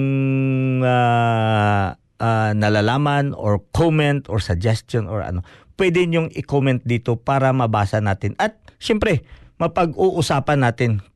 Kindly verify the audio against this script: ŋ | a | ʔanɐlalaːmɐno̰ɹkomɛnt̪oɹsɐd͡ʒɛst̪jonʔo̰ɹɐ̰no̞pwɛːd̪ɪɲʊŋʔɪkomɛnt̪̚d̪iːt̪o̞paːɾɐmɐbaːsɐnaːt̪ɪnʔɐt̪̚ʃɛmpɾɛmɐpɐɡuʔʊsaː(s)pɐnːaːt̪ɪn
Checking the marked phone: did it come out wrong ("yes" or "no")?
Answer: yes